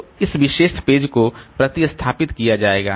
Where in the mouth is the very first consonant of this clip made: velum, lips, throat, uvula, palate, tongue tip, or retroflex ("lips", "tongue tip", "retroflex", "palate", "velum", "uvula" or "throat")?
tongue tip